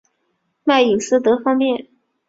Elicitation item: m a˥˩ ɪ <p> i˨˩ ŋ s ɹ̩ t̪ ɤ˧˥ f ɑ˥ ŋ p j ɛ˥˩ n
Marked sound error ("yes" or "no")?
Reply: yes